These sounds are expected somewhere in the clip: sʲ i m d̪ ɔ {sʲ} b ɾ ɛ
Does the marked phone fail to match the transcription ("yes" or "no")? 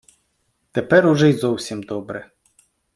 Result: yes